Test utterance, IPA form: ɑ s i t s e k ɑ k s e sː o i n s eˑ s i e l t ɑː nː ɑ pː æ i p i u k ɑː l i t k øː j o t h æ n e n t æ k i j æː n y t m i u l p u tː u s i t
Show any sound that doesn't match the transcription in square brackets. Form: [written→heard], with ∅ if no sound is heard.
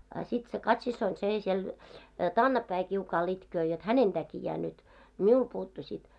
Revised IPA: ɑ s i t s e k ɑ [k→t] s [e→i] sː o i n s eˑ s i e l t ɑː nː ɑ pː æ i [p→k] i u k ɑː l i t k øː j o t h æ n e n t æ k i j æː n y t m i u l p [u→uː] tː u s i t

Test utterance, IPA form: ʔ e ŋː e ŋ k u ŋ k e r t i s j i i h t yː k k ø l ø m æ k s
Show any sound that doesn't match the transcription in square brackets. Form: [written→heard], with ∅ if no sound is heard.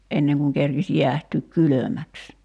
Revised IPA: ʔ e [ŋː→nː] e ŋ k u ŋ k e r [t→k] i s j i [i→æ] h t yː k k [ø→y] l ø m æ k s

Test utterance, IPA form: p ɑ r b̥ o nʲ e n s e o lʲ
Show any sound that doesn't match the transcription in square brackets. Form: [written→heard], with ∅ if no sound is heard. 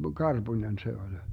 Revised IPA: [p→k] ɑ r b̥ [o→u] nʲ e n s e o lʲ

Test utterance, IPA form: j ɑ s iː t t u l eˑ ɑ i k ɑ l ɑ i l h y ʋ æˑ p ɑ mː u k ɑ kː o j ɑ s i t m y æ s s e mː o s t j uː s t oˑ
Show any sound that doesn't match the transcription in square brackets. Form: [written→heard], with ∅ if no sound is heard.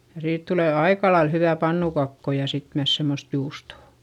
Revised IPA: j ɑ s iː t t u l eˑ ɑ i k ɑ l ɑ i l h y ʋ æˑ p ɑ [mː→nː] u k ɑ kː o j ɑ s i t m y æ s s e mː o s t j uː s t oˑ

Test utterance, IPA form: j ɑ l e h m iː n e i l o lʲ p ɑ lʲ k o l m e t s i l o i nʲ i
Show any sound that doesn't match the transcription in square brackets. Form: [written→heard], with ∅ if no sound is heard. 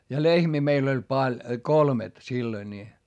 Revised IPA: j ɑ l e h m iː [n→m] e i l o lʲ p ɑ lʲ k o l m e t s i [l→lː] o i nʲ i

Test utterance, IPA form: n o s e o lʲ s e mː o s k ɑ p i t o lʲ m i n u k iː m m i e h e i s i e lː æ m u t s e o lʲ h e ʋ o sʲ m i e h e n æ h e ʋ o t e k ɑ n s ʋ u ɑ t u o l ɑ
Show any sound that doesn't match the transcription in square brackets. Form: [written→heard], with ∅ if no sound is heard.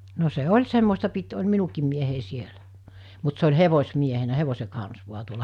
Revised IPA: n o s e o lʲ s e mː o s [k→t] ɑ p i t o lʲ m i n u k iː m m i e h e i s i e [lː→l] æ m u t s e o lʲ h e ʋ o sʲ m i e h e n æ h e ʋ o [t→s] e k ɑ n s ʋ u ɑ t u o l ɑ

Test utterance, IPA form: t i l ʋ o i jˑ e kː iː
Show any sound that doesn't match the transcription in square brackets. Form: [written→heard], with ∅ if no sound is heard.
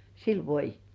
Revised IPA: [t→s] i l ʋ o i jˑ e [kː→tː] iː

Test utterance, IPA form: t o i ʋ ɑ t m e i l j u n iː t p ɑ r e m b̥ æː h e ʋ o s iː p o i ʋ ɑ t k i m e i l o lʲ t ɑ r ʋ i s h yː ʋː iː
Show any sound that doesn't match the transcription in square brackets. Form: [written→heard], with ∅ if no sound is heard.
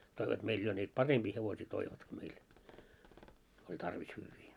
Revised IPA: t o i ʋ ɑ t m e i l j [u→o] n iː t p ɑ r e m b̥ [æː→iː] h e ʋ o s iː [p→t] o i ʋ ɑ t k i m e i l o lʲ t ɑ r ʋ i s h yː ʋː iː

